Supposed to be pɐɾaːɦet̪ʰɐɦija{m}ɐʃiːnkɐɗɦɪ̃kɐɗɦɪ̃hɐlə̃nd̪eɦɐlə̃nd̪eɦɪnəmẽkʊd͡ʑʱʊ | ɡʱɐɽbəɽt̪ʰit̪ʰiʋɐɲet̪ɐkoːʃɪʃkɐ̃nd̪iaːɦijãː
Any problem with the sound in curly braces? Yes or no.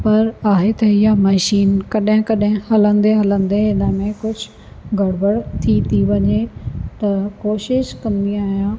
no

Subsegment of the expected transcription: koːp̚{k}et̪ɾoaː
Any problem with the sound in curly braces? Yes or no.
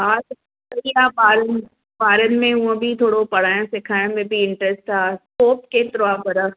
no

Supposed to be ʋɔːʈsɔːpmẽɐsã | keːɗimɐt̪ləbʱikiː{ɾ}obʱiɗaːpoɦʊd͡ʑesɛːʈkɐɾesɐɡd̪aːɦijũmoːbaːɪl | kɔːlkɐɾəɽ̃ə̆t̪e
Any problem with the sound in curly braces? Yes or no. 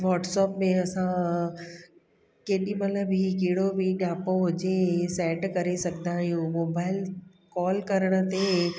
yes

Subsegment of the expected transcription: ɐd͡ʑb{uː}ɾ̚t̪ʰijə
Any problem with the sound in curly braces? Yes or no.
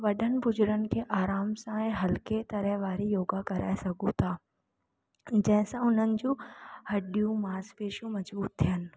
no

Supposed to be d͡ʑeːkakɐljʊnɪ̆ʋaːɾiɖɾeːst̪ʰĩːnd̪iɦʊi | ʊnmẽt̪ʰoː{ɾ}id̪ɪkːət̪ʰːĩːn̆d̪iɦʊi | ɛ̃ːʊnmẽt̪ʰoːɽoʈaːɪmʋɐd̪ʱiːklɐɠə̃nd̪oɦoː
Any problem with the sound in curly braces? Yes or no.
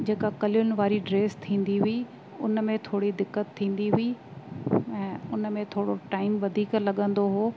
yes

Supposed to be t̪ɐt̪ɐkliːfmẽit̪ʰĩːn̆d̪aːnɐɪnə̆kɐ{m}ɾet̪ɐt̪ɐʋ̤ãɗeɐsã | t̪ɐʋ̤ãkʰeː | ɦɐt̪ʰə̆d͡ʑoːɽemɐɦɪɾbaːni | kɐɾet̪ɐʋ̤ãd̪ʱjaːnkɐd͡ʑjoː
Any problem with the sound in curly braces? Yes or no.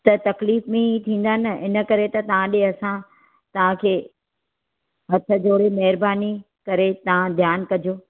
yes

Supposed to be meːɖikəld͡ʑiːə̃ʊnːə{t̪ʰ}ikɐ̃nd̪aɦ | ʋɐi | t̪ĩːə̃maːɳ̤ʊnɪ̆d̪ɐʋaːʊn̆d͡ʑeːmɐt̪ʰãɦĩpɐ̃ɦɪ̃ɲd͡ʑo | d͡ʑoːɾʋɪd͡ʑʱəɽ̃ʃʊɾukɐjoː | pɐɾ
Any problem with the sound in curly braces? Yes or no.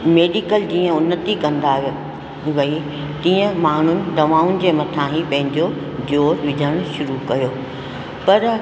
yes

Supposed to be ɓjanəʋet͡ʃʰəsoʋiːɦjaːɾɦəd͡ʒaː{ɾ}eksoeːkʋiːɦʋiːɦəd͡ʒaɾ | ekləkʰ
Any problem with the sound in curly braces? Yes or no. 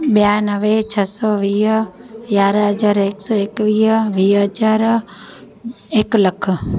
no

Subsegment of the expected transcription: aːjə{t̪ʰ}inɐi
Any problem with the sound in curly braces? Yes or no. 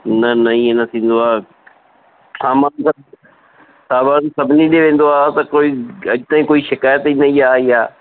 yes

